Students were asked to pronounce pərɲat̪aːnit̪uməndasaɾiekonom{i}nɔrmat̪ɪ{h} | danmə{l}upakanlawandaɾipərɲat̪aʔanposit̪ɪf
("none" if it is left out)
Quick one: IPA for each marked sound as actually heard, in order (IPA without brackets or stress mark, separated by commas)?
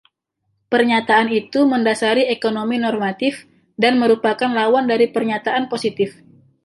i, f, ɾ